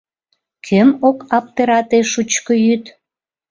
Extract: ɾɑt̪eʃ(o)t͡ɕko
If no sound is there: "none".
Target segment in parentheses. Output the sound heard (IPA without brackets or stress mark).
u